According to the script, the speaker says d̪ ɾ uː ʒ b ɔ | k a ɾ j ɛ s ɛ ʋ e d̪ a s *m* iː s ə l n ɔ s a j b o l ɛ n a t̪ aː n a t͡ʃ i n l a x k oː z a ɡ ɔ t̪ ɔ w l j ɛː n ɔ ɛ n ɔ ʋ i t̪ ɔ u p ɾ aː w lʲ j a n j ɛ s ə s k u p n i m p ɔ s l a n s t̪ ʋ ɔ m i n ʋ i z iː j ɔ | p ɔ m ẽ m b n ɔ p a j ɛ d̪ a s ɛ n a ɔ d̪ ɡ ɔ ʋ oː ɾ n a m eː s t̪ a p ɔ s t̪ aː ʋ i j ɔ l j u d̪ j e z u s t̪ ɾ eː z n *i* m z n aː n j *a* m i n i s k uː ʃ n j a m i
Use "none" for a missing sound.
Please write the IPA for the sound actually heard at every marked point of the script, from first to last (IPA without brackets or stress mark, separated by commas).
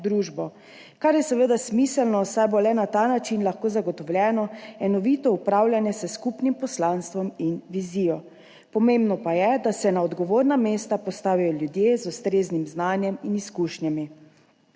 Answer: m, i, ɛ